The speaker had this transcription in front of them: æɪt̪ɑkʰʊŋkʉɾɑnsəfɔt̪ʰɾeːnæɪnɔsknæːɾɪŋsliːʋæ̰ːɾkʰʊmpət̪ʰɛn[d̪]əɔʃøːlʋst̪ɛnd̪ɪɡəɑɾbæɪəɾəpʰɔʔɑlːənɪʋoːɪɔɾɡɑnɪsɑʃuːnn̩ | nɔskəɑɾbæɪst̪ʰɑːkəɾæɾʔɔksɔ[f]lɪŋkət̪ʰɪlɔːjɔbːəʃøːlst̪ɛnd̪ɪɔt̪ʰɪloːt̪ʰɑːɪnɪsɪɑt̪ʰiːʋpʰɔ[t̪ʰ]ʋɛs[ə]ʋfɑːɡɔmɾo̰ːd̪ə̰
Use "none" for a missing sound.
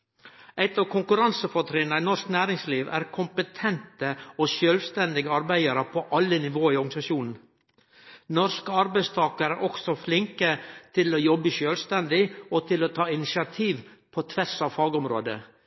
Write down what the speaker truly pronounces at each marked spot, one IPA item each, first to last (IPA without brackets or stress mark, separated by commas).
t̪, f, t̪ʰ, ɑ